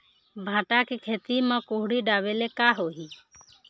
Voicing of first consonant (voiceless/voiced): voiced